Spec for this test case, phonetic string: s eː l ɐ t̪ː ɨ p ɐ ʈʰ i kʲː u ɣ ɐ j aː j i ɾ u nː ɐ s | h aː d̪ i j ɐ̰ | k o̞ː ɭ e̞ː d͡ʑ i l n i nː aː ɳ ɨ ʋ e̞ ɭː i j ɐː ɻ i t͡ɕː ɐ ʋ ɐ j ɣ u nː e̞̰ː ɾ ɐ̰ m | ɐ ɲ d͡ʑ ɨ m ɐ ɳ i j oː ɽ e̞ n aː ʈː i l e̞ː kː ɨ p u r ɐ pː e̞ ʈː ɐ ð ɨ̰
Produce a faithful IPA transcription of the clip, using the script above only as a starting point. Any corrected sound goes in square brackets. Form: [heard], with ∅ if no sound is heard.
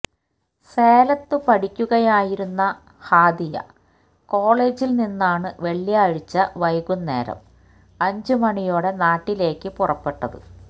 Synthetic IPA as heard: s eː l ɐ t̪ː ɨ p ɐ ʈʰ i kʲː u ɣ ɐ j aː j i ɾ u nː ɐ [∅] | h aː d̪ i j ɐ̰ | k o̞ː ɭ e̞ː d͡ʑ i l n i nː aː ɳ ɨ ʋ e̞ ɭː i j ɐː ɻ i t͡ɕː ɐ ʋ ɐ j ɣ u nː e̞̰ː ɾ ɐ̰ m | ɐ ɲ d͡ʑ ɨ m ɐ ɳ i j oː ɽ e̞ n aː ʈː i l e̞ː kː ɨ p u r ɐ pː e̞ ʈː ɐ ð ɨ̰